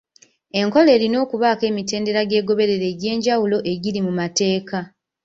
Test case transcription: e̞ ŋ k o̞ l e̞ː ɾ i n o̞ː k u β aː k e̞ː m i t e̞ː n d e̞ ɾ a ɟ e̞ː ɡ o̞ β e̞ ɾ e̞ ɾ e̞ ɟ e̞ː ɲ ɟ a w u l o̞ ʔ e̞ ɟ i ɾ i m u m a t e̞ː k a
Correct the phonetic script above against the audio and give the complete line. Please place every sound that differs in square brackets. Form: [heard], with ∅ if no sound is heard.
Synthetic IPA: e̞ ŋ k o̞ l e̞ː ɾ i n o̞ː k u β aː k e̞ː m i t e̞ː n d e̞ ɾ a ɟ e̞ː ɡ o̞ β e̞ ɾ e̞ ɾ e̞ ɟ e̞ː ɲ ɟ a w u l o̞ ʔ e̞ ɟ i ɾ i m u m a t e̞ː k a